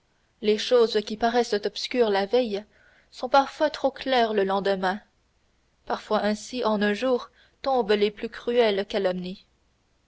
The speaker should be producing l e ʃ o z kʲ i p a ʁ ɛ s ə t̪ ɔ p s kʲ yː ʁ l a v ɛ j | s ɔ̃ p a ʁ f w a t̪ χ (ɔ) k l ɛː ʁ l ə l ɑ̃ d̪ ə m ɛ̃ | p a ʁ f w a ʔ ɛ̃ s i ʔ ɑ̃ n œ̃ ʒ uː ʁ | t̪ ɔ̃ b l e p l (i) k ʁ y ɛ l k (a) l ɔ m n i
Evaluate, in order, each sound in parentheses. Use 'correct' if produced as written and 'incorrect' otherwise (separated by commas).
incorrect, incorrect, correct